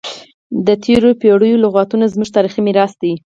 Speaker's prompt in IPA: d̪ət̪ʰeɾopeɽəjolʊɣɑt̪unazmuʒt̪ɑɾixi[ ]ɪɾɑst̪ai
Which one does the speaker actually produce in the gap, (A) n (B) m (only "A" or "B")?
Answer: B